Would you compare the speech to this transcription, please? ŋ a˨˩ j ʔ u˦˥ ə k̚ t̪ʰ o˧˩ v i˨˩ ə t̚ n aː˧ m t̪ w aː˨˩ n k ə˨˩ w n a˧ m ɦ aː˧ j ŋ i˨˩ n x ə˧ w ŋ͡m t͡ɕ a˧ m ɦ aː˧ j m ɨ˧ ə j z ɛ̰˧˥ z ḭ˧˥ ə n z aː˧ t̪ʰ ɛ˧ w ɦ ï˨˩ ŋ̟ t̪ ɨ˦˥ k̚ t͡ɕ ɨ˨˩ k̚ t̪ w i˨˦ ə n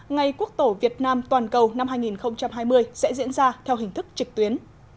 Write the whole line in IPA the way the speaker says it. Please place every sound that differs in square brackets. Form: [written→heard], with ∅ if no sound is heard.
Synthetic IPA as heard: ŋ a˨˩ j [ʔ→k] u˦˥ ə k̚ [t̪ʰ→t̪] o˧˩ v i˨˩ ə t̚ n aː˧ m t̪ w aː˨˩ n k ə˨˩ w n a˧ m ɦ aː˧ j ŋ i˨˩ n x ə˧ w ŋ͡m t͡ɕ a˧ m ɦ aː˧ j m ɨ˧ ə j [z→s] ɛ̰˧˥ z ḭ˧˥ ə n z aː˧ t̪ʰ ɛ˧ w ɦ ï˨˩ ŋ̟ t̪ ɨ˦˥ k̚ t͡ɕ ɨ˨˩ k̚ t̪ w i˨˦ ə n